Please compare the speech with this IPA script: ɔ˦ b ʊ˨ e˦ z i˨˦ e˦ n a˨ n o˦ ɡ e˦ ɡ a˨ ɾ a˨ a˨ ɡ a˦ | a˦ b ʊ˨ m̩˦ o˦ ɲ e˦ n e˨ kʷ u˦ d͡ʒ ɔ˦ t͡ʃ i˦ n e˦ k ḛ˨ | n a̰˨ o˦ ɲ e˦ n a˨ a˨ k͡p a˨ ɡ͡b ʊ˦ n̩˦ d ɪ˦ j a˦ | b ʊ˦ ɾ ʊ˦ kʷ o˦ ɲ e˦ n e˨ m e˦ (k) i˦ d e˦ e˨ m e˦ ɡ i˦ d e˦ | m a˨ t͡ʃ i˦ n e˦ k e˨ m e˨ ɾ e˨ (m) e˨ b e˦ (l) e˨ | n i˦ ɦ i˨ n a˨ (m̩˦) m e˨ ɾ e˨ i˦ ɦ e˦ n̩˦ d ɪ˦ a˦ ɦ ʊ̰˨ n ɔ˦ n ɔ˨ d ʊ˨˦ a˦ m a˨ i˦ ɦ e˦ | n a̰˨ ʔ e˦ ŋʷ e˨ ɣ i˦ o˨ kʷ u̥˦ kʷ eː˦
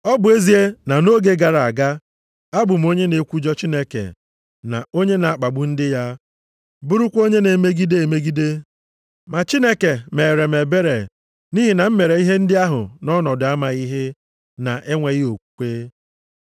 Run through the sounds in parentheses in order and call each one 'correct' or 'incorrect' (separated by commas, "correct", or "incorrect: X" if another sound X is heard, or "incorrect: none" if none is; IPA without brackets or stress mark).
incorrect: ɡ, correct, incorrect: ɾ, correct